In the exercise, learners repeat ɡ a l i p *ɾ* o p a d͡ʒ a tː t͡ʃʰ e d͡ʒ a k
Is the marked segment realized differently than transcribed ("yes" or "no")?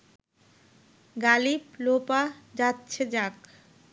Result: yes